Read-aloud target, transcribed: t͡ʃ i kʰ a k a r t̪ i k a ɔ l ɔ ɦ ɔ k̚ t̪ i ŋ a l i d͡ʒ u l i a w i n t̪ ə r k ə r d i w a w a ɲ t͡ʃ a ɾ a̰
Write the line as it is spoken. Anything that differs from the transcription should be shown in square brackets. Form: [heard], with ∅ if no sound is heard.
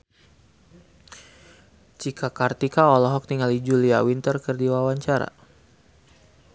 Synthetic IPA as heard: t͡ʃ i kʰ a k a r t̪ i k a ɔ l ɔ ɦ ɔ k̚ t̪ i ŋ a l i d͡ʒ u l i a w i n t̪ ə r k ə r d i w a w a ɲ t͡ʃ a ɾ a̰